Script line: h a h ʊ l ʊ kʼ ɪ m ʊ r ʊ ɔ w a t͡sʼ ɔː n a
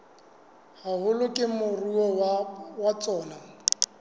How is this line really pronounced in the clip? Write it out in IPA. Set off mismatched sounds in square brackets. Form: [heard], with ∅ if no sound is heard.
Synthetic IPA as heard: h a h ʊ l ʊ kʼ ɪ m ʊ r [u] ɔ w a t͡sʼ ɔː n a